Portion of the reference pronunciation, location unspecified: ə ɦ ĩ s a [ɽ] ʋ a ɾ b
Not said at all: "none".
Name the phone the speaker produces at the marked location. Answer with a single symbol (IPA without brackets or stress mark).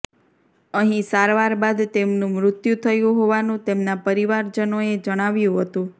ɾ